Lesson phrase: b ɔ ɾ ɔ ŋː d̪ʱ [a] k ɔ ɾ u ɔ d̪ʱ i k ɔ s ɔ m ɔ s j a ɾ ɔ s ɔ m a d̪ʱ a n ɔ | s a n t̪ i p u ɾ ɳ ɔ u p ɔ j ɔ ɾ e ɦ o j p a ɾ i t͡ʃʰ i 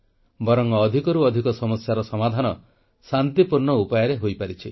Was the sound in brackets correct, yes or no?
no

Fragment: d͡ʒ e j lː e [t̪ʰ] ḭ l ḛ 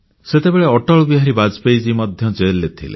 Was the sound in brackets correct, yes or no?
yes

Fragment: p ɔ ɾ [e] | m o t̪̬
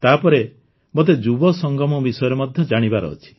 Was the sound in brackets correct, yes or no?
yes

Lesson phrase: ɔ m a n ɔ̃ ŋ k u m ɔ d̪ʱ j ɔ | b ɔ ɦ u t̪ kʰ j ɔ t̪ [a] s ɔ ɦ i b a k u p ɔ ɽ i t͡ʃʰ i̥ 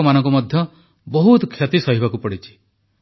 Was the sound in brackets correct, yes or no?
no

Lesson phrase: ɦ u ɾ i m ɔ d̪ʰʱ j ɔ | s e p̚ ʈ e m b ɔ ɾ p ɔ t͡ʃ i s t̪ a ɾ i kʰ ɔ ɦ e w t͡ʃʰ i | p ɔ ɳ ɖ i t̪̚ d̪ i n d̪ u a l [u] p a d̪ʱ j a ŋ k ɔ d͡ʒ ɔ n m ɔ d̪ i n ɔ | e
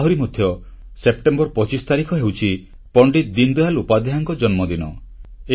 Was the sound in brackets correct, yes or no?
yes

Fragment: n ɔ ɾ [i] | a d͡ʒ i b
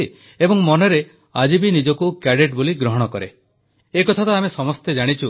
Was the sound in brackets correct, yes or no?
no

